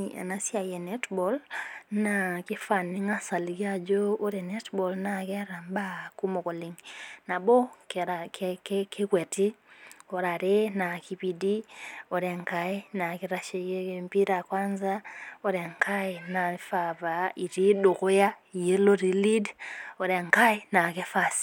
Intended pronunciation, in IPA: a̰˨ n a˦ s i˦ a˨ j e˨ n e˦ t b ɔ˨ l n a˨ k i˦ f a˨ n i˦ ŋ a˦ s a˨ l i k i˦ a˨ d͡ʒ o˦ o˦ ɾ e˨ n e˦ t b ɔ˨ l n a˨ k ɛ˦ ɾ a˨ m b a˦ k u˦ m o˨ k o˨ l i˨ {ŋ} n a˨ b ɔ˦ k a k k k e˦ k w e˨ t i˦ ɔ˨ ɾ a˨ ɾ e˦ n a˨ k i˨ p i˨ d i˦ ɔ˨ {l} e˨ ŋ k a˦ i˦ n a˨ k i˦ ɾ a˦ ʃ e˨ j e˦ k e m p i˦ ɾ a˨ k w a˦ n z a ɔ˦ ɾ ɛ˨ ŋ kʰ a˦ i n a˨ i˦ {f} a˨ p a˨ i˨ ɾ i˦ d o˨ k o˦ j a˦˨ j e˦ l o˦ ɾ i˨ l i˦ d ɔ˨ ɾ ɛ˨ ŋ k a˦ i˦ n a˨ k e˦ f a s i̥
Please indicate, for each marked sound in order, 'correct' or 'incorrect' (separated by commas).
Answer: correct, incorrect, correct